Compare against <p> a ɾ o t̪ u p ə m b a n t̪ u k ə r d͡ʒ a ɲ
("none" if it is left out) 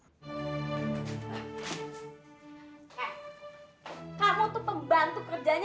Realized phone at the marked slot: k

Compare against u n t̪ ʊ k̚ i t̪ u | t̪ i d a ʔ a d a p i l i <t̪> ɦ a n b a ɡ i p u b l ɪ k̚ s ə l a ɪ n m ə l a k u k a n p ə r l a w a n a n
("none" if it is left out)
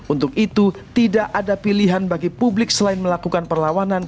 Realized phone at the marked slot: none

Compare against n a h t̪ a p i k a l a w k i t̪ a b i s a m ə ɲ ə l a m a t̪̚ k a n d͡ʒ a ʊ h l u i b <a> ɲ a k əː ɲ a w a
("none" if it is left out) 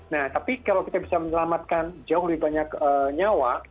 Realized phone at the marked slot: a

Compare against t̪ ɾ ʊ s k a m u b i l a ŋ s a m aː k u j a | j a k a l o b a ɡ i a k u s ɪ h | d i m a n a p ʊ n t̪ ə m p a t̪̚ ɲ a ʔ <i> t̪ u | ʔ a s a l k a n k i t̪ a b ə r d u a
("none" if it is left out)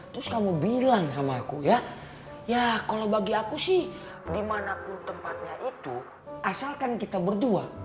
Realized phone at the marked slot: i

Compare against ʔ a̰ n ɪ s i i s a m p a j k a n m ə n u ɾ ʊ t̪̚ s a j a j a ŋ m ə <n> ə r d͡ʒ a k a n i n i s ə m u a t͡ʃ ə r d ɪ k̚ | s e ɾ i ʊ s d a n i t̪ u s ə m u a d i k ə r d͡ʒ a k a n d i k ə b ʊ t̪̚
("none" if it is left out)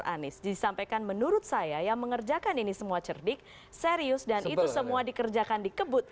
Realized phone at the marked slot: ŋ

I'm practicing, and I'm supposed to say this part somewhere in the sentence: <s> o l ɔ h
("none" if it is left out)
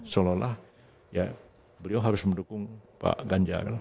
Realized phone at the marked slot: s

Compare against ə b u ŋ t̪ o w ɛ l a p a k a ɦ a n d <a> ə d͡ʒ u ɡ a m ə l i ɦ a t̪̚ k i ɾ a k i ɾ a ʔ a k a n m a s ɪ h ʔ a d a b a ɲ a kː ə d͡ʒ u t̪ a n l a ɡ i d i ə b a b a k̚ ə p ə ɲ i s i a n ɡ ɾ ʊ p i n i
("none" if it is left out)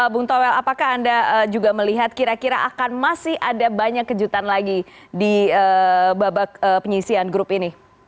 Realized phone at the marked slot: a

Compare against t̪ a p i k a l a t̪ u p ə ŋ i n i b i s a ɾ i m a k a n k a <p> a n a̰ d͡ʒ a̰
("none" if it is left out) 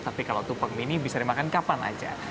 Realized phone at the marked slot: p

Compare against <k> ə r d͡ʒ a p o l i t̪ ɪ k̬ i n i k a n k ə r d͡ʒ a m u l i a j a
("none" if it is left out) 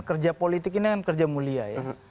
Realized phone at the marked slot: k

